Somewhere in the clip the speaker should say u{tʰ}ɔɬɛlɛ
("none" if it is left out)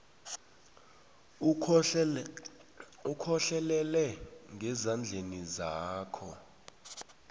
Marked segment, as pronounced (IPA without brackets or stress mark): kʰ